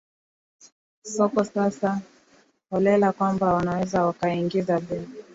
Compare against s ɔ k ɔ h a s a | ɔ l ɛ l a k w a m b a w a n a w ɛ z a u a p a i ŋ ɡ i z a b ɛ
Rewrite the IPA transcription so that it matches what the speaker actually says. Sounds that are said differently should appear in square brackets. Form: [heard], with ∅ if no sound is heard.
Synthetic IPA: s ɔ k ɔ [s] a s a | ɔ l ɛ l a k w a m b a w a n a w ɛ z a [w] a [k] a i ŋ ɡ i z a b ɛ